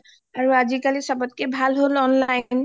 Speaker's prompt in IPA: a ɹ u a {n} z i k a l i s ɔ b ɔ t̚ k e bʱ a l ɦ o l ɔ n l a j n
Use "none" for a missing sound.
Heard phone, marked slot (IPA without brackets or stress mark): none